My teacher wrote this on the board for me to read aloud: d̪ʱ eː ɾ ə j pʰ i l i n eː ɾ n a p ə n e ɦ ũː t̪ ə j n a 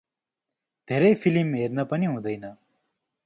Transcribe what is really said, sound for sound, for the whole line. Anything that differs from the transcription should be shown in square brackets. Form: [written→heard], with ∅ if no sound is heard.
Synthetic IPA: d̪ʱ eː ɾ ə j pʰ i l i [n→m] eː ɾ n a p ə n [e→i] ɦ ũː [t̪→d̪] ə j n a